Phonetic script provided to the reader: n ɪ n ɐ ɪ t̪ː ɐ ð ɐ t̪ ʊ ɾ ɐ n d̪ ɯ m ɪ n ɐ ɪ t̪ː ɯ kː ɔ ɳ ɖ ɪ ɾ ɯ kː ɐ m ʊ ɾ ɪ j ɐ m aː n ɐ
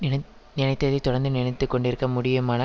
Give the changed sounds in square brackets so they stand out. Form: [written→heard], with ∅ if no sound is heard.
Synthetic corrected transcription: n ɪ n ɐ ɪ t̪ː ɐ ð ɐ t̪ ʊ [ɾ→ɽ] ɐ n d̪ ɯ [m→n] ɪ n ɐ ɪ t̪ː ɯ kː ɔ ɳ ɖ ɪ ɾ ɯ kː ɐ m ʊ [ɾ→ɽ] ɪ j ɐ m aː n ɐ